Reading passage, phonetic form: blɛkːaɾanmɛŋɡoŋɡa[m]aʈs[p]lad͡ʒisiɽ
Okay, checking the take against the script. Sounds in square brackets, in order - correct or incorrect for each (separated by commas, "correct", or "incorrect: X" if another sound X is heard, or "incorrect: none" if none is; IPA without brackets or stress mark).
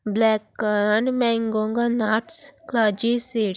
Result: incorrect: n, incorrect: k